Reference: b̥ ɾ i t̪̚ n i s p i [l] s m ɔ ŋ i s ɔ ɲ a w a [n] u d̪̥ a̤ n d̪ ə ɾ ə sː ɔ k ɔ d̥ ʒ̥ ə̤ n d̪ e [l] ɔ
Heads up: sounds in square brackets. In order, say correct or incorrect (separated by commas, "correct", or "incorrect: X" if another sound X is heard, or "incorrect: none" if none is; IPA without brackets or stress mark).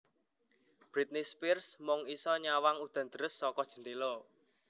incorrect: r, incorrect: ŋ, correct